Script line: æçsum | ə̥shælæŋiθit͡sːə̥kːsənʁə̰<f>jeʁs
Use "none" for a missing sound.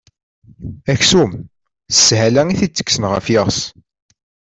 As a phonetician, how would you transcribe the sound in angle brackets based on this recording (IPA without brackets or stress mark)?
f